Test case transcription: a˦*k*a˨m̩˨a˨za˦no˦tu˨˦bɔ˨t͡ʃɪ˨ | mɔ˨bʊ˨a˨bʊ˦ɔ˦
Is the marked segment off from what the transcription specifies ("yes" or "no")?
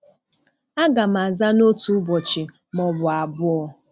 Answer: yes